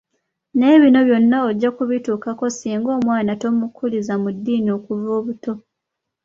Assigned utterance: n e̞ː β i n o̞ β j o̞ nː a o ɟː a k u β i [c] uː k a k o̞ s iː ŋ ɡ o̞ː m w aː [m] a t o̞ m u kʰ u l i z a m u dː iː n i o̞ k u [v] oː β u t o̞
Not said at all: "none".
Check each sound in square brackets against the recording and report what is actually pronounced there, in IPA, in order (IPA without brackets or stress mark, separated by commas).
t, n, v